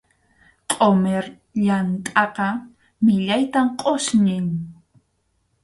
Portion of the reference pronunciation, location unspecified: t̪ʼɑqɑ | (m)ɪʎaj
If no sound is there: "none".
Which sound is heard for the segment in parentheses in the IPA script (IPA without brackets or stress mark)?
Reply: m